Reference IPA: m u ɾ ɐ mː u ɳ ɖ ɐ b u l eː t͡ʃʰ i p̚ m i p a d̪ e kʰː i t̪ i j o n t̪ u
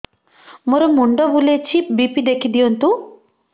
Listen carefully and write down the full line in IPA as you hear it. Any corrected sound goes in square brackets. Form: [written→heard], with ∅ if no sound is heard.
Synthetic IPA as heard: m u ɾ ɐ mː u ɳ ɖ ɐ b u l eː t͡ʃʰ i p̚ [m→b] i p [a→i] d̪ e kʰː i [t̪→d̪] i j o n t̪ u